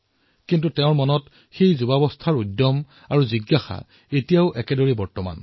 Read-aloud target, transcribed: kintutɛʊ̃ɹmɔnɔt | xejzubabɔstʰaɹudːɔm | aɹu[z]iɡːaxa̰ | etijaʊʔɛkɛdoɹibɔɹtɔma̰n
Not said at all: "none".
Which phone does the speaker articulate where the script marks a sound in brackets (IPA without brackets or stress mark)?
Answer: z